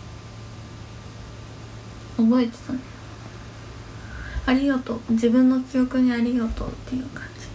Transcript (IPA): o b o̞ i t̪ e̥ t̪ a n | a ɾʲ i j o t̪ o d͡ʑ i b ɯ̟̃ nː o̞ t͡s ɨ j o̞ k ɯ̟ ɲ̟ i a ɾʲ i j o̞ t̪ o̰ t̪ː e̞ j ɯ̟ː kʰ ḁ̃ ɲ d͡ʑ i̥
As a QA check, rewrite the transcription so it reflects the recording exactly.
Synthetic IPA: o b o̞ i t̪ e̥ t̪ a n | a ɾʲ i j o t̪ o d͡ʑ i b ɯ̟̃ nː o̞ t͡s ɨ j o̞ k ɯ̟ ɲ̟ i a ɾʲ i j o̞ t̪ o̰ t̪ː e̞ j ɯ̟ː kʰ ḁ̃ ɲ d͡ʑ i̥